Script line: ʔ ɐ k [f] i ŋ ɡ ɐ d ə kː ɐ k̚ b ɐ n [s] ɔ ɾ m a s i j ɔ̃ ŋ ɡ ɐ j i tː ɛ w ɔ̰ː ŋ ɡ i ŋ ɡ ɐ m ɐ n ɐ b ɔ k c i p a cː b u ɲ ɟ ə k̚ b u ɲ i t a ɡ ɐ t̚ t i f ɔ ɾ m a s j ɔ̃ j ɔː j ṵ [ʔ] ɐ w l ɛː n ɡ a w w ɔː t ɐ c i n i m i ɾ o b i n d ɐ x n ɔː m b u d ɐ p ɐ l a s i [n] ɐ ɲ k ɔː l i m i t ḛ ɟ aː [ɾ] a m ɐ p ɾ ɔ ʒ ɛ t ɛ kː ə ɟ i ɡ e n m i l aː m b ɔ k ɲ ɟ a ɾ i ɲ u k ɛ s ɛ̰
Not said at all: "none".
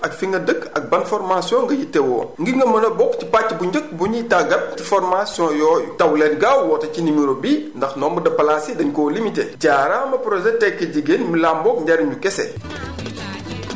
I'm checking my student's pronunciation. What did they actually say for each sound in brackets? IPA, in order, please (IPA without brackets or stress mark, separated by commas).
f, f, t, d, ɾ